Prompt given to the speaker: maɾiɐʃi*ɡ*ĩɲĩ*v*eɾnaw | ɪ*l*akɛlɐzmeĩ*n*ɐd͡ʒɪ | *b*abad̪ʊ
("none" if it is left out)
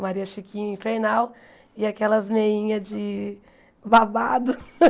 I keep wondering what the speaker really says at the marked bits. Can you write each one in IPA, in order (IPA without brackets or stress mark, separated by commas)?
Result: k, f, none, ɲ, b